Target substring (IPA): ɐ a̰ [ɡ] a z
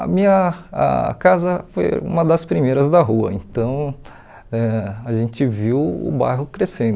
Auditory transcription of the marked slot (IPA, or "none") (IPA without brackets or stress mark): k